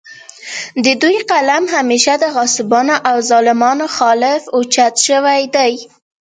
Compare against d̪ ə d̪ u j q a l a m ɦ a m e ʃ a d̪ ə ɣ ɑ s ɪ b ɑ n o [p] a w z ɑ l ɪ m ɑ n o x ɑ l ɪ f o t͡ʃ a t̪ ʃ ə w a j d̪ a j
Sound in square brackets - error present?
yes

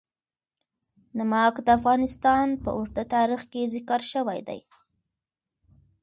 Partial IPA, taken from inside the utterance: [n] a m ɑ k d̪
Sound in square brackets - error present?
no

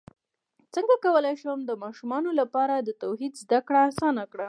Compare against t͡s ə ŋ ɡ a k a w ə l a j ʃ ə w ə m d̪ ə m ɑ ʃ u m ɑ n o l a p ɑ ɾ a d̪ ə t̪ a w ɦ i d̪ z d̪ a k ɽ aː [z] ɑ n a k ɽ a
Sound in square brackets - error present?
yes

